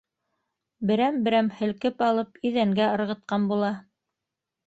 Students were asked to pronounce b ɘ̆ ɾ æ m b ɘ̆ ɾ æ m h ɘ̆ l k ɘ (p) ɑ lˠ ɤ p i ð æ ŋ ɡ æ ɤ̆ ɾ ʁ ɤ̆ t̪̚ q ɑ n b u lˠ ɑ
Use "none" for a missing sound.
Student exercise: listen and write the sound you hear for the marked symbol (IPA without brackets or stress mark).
p